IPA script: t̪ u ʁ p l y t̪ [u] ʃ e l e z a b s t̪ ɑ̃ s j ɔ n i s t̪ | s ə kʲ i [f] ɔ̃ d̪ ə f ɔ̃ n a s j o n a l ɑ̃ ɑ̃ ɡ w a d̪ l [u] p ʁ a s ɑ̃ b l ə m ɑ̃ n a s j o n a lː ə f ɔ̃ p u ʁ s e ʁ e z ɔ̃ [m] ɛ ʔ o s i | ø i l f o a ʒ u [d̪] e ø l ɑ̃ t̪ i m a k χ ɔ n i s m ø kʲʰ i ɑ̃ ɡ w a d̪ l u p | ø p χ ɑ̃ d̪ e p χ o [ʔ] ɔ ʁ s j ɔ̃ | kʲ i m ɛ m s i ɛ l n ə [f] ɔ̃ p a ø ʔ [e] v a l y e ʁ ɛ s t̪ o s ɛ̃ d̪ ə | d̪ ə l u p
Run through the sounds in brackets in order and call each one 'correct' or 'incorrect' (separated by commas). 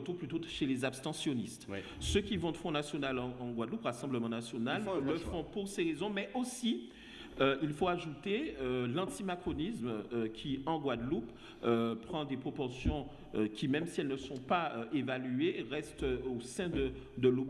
incorrect, incorrect, correct, correct, incorrect, incorrect, incorrect, correct